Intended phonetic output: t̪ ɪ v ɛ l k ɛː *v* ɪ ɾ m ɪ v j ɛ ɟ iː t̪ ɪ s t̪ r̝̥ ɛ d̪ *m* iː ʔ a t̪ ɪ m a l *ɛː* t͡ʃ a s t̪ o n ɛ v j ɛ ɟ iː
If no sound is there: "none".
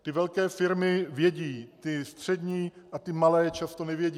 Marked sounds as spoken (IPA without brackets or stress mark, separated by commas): f, ɲ, ɛː